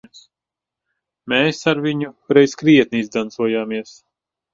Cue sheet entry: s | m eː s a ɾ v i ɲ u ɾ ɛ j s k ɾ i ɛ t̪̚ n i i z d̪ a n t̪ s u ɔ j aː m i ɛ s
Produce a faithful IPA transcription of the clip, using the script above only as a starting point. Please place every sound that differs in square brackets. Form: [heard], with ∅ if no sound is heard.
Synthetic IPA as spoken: s | m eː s a ɾ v i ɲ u ɾ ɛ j s k ɾ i ɛ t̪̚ n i i z d̪ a n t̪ s u ɔ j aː m i ɛ s